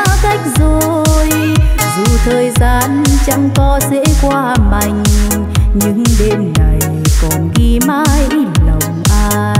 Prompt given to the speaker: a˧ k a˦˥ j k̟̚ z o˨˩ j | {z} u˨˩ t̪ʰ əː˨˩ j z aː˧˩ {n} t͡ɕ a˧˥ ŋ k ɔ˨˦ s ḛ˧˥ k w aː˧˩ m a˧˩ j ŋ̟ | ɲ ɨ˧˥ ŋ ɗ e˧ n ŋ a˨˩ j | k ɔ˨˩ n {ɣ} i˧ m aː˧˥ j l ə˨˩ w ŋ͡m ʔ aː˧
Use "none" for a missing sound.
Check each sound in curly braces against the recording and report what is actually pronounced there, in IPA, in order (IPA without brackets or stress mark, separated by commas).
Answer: z, n, ɣ